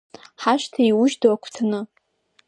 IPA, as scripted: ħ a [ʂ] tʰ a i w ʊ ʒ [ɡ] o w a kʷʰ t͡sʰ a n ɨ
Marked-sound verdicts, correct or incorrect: incorrect, incorrect

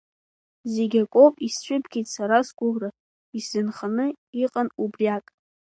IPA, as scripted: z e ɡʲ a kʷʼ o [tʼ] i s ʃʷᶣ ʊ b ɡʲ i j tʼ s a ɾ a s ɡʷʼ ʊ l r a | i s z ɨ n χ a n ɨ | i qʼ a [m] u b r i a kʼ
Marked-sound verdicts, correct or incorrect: incorrect, incorrect

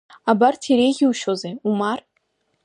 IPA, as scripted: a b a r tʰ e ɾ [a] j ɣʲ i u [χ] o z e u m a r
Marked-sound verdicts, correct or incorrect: incorrect, incorrect

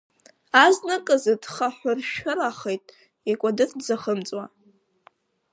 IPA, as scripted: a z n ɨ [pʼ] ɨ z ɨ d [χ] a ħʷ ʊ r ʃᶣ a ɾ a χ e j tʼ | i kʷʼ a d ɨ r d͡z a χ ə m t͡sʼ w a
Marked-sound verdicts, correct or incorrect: incorrect, correct

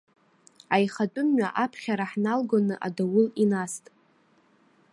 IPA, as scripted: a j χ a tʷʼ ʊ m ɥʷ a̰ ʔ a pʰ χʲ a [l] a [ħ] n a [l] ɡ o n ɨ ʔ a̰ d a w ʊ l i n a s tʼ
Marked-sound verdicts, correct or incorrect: incorrect, correct, correct

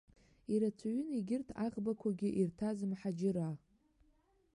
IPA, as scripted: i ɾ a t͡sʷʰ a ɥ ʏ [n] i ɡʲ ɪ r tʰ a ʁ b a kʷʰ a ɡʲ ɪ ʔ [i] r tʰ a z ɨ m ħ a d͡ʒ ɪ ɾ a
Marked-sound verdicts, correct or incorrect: correct, correct

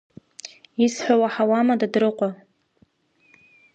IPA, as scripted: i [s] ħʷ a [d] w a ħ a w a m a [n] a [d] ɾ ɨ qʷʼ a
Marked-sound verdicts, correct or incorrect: correct, incorrect, incorrect, correct

